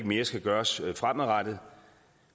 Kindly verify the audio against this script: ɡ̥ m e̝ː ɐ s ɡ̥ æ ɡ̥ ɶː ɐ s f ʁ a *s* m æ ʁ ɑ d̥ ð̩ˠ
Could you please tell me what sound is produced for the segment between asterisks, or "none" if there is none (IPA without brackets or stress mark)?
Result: none